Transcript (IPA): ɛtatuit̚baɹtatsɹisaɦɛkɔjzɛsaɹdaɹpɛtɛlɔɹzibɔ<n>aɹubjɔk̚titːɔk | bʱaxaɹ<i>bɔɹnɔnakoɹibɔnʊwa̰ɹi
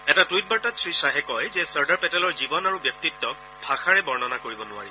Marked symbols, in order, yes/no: yes, no

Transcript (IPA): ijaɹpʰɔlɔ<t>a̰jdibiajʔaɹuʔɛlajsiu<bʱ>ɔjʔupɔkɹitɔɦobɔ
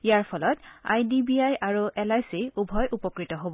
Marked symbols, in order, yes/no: yes, yes

